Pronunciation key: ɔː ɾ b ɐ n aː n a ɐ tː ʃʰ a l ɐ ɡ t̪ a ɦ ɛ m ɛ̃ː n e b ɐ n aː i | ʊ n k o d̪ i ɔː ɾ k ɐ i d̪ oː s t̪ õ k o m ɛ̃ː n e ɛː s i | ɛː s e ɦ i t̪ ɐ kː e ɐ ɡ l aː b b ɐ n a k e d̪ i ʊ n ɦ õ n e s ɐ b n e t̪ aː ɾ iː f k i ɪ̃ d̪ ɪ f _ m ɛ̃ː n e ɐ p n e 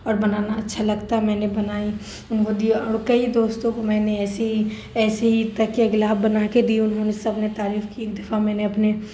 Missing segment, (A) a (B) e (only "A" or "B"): A